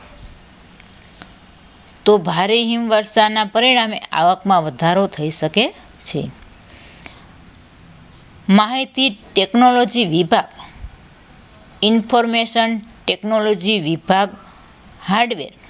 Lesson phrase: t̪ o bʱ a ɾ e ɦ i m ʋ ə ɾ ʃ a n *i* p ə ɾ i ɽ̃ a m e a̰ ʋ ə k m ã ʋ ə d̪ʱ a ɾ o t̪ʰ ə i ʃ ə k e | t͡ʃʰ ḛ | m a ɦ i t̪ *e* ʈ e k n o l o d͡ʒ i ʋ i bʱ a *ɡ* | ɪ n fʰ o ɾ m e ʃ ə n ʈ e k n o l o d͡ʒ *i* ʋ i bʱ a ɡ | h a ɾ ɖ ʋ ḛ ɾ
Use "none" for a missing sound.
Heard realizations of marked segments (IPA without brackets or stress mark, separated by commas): a, i, ɡ, i